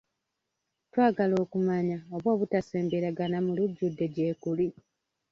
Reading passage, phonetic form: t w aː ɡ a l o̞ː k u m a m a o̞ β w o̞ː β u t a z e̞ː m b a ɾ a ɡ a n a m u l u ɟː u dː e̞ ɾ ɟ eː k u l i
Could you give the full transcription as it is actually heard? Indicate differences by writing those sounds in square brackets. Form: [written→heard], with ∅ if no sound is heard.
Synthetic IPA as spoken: t w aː ɡ a l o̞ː k u m a [m→ɲ] a o̞ β w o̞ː β u t a [z→s] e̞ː m b [a→e] ɾ a ɡ a n a m u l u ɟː u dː e̞ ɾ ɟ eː k u l i